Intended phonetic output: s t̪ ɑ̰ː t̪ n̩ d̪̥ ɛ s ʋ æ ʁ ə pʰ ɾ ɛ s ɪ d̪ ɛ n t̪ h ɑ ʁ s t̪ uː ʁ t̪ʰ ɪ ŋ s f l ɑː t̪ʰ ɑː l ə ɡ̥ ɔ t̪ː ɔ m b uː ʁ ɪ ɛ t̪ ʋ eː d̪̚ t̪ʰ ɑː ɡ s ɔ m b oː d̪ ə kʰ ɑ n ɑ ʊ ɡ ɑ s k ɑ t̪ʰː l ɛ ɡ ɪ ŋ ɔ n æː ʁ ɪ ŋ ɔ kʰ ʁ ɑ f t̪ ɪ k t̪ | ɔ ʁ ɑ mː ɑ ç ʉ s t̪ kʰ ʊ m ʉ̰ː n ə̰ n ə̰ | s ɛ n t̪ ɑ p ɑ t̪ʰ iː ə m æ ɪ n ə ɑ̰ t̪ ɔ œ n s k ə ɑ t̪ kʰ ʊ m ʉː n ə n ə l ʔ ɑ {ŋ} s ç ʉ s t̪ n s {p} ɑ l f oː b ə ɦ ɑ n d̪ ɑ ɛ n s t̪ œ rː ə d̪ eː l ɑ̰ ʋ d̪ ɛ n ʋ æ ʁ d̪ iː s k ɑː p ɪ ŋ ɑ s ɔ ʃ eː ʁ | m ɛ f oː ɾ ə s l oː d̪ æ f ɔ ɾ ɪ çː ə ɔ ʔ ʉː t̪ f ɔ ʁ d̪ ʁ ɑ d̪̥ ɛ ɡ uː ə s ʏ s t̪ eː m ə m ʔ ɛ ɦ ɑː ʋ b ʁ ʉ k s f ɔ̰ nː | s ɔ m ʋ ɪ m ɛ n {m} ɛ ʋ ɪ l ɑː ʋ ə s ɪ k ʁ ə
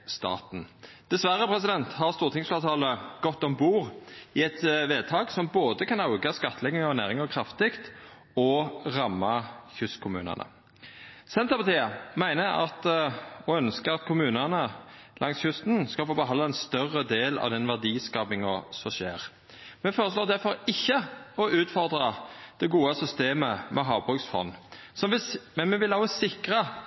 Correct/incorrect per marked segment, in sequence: correct, incorrect: k, correct

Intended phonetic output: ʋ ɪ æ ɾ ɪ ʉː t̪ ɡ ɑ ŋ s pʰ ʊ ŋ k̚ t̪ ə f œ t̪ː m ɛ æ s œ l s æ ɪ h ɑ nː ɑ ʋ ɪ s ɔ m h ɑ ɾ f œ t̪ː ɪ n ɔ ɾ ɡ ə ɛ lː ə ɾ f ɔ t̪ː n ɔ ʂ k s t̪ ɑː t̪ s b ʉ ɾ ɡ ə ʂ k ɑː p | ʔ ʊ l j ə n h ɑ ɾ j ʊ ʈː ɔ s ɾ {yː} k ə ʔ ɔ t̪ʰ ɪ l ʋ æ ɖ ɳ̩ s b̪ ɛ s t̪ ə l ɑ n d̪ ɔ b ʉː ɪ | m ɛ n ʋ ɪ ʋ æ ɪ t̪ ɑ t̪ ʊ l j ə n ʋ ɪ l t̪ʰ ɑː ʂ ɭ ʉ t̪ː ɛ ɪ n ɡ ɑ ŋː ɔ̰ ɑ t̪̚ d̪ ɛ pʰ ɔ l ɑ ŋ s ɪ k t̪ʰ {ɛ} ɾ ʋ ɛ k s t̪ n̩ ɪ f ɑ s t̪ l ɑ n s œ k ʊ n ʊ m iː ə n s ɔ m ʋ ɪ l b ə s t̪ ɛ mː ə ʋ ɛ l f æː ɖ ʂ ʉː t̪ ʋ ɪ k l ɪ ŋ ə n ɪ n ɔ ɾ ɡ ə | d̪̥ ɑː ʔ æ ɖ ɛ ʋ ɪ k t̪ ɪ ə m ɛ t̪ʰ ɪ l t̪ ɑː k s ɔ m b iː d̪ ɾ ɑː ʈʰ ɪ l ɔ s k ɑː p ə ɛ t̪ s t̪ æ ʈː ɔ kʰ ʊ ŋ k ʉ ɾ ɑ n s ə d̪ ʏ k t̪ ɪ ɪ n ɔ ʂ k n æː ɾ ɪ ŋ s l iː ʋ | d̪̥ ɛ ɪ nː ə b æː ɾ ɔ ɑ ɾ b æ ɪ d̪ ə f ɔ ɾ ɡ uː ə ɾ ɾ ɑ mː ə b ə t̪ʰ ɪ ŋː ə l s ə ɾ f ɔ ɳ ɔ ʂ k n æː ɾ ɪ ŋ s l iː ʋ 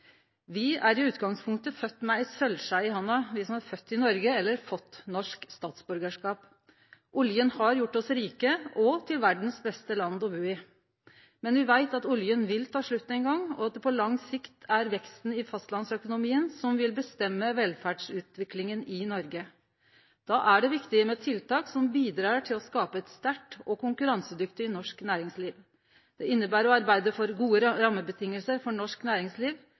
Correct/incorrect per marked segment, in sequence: incorrect: iː, incorrect: æ

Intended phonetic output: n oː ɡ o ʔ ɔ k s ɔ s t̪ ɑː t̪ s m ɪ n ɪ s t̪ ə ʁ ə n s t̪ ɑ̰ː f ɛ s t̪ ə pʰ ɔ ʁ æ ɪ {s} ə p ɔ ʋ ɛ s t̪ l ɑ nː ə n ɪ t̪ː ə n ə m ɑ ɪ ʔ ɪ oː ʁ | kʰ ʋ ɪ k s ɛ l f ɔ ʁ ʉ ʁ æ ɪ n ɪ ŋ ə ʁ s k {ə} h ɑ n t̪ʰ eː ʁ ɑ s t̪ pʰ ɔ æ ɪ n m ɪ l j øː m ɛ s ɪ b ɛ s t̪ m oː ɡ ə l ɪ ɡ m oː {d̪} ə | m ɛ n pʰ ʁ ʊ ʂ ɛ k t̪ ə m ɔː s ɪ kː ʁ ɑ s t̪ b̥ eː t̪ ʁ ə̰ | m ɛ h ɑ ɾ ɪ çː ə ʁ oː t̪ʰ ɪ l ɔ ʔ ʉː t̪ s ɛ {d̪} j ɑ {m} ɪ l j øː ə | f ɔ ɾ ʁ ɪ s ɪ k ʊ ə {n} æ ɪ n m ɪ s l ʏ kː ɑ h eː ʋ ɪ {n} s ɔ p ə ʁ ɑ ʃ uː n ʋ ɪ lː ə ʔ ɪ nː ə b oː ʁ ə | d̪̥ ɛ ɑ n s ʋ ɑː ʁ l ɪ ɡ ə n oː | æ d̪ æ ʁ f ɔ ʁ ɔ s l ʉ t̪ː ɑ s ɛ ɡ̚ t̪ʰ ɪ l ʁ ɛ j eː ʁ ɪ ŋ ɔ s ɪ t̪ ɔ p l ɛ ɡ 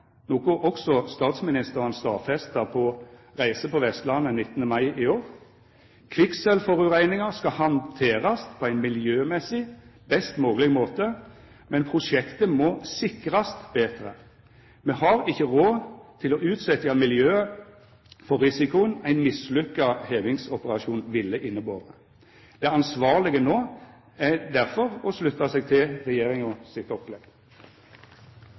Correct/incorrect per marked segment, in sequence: correct, incorrect: ɑ, incorrect: t̪, incorrect: t̪, correct, correct, incorrect: ŋ

